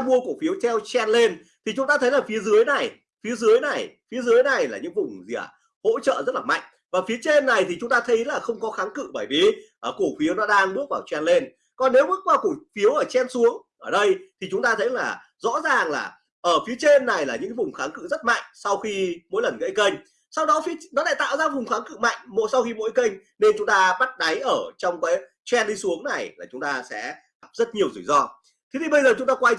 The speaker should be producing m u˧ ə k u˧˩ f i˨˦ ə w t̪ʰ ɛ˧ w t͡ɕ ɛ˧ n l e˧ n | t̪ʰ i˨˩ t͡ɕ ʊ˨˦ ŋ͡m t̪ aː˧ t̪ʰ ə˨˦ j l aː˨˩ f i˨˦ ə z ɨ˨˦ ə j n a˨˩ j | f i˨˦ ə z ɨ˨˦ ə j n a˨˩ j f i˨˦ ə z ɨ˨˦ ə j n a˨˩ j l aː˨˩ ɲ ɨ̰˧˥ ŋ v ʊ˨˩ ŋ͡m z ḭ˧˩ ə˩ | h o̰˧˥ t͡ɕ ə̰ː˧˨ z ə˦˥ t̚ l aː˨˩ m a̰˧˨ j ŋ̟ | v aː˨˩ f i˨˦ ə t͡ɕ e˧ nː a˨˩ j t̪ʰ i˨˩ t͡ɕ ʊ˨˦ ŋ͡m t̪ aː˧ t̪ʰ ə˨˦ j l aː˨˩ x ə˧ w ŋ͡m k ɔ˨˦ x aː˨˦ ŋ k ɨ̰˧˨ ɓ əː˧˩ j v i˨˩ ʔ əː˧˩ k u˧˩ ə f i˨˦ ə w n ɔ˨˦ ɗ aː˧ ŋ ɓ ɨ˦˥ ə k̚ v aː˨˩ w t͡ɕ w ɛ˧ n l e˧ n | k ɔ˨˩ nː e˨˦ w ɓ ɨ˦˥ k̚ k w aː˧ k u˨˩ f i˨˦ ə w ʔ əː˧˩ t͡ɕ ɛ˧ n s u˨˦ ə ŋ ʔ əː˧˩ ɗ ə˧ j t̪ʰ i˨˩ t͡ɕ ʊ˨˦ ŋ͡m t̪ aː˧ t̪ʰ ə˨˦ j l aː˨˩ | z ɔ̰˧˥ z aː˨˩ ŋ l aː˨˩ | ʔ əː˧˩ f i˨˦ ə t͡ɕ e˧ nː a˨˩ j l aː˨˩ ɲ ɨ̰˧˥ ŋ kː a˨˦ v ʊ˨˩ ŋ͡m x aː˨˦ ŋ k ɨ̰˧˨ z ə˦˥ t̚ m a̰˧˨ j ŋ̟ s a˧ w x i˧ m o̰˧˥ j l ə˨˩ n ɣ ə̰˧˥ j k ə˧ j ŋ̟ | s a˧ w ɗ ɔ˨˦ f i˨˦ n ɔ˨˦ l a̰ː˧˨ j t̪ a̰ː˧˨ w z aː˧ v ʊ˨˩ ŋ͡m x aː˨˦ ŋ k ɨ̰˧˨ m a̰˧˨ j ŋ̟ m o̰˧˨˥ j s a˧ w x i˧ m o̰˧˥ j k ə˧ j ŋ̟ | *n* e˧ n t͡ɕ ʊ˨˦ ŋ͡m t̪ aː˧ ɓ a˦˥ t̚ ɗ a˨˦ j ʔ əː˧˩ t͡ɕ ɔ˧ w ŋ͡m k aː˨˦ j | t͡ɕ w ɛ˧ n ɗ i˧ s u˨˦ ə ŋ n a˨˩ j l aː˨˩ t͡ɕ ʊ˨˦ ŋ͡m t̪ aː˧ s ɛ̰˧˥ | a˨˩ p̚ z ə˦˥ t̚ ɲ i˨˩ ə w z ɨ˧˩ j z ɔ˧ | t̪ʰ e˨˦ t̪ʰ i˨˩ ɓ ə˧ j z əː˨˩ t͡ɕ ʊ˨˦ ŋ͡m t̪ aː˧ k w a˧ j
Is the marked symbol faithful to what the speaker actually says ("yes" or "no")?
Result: yes